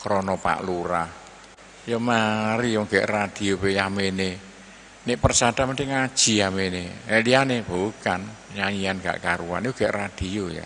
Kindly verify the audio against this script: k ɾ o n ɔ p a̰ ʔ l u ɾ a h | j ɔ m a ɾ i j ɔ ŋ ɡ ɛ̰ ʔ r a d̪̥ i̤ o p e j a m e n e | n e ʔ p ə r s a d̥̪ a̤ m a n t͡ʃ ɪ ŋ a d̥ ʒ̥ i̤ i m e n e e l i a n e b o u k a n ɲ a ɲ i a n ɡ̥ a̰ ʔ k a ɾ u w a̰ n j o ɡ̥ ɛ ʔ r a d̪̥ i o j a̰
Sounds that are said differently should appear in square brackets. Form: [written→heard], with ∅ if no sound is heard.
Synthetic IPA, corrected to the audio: k ɾ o n ɔ p a̰ ʔ l u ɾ a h | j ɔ m a ɾ i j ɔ ŋ ɡ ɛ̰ ʔ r a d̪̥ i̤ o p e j a m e n e | n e ʔ p ə r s a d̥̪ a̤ m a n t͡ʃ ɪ ŋ a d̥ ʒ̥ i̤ [i→a] m e n e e l i a n e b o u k a n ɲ a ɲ i a n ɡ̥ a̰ ʔ k a ɾ u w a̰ n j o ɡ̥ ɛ ʔ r a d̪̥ i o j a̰